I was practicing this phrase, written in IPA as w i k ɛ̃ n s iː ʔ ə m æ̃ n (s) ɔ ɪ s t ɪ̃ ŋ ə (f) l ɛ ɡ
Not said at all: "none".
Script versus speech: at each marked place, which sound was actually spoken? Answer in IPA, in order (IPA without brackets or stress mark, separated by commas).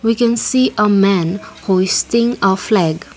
h, f